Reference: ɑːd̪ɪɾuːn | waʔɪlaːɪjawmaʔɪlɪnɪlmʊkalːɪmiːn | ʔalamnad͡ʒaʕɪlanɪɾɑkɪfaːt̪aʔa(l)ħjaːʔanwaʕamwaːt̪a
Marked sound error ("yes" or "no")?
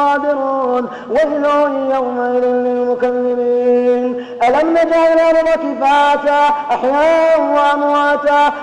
yes